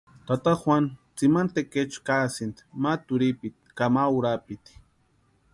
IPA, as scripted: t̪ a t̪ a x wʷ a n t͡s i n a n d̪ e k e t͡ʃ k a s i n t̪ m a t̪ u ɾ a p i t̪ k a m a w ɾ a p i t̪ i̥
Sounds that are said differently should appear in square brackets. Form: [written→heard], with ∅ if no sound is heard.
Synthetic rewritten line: t̪ a t̪ a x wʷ a n t͡s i [n→m] a n [d̪→t̪] e k e t͡ʃ k a s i n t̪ m a t̪ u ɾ [a→i] p i t̪ k a m a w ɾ a p i t̪ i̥